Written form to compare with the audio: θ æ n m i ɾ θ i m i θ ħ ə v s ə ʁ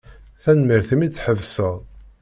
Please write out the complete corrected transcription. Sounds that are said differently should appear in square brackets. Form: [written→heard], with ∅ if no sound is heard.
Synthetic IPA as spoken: θ æ n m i ɾ θ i m i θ ħ ə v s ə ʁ